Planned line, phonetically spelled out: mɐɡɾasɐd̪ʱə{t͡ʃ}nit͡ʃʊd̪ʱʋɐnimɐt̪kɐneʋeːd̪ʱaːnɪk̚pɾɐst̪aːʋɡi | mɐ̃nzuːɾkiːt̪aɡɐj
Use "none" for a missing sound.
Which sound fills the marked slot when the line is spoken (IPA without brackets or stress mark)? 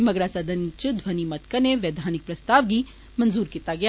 none